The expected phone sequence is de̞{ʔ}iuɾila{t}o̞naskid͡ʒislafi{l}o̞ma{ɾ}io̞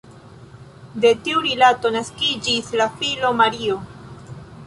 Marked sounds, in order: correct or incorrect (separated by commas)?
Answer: incorrect, correct, correct, correct